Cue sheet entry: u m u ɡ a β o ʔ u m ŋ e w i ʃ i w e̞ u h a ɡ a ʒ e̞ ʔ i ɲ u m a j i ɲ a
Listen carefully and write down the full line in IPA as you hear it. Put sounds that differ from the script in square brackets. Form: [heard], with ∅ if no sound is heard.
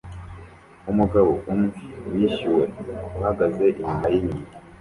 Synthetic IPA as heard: u m u ɡ a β o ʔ u m ŋ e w i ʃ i w e̞ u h a ɡ a [z] e̞ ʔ i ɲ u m a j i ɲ [i]

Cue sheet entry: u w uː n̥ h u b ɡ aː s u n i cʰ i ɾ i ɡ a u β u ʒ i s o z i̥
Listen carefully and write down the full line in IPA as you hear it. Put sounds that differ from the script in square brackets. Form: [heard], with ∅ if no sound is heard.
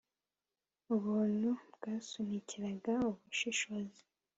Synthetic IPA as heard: u [β] uː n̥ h u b ɡ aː s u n i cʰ i ɾ [a] ɡ a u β u [ʃ] i [ʃ] o z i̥

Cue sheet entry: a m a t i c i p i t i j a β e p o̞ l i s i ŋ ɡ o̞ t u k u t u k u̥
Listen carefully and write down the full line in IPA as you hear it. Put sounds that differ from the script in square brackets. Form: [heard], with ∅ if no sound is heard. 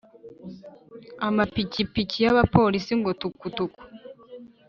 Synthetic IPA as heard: a m a [p] i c i p i [c] i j a β [a] p o̞ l i s i ŋ ɡ o̞ t u k u t u k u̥

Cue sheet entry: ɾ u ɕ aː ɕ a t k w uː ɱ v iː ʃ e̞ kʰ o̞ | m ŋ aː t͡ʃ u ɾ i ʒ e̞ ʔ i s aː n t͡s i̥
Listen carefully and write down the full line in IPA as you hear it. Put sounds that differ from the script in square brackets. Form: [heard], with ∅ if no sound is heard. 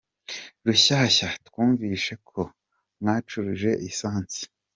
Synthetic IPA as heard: ɾ u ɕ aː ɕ a t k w uː ɱ v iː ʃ e̞ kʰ o̞ | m ŋ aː t͡ʃ u ɾ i ʒ e̞ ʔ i s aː n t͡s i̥

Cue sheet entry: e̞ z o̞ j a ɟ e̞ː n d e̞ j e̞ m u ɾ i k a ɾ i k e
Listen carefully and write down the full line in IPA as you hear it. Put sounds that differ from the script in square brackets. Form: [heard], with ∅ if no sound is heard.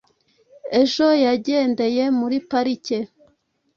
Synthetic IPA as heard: e̞ [ʒ] o̞ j a ɟ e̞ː n d e̞ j e̞ m u ɾ i [p] a ɾ i [c] e

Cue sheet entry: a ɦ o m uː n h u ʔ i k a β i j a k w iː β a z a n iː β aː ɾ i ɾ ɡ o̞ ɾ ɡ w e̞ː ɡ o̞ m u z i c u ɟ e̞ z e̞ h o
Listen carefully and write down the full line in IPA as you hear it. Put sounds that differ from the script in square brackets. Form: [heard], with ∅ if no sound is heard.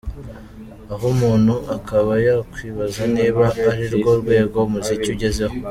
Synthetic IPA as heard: a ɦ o m uː n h u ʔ [a] k a β [a] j a k w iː β a z a n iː β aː ɾ i ɾ ɡ o̞ ɾ ɡ w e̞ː ɡ o̞ m u z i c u ɟ e̞ z e̞ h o

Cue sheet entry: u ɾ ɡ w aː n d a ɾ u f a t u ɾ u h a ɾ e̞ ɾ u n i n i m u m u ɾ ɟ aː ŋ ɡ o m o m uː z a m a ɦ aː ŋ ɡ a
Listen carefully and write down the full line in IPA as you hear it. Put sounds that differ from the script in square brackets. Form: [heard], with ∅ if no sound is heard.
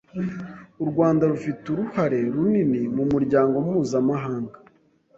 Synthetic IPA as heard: u ɾ ɡ w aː n d a ɾ u f [i] t u ɾ u h a ɾ e̞ ɾ u n i n i m u m u ɾ ɟ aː ŋ ɡ o m [u] m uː z a m a ɦ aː ŋ ɡ a

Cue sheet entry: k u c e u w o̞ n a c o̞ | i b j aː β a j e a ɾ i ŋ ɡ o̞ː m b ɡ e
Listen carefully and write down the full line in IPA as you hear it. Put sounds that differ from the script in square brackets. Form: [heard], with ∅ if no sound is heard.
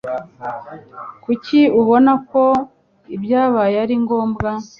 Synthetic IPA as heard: k u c [i] u [β] o̞ n a [k] o̞ | i b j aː β a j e a ɾ i ŋ ɡ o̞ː m b ɡ [a]

